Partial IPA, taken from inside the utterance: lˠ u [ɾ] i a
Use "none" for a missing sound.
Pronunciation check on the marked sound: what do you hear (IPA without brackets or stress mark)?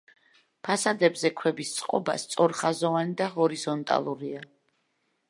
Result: ɾ